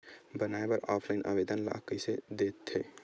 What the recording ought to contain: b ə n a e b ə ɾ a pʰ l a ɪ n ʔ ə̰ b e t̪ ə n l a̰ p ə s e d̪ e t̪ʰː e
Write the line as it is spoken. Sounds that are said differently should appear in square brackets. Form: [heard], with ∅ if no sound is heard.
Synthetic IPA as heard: b ə n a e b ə ɾ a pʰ l a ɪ n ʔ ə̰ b e [d̪] ə n l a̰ [k] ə s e d̪ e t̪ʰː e